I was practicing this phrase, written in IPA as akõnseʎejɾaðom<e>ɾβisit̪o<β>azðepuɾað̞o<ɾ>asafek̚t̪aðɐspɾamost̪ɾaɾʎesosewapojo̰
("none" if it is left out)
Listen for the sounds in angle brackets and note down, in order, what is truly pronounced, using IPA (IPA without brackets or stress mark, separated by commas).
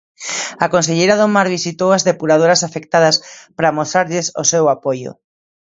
a, w, ɾ